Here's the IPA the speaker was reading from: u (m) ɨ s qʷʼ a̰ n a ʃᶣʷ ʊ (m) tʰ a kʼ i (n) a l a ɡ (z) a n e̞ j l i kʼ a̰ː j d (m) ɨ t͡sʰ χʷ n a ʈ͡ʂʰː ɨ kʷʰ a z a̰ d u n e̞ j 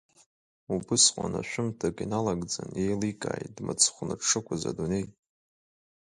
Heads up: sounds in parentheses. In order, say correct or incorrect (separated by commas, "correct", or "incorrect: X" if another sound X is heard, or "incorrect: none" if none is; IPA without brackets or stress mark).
incorrect: b, correct, correct, incorrect: d͡z, correct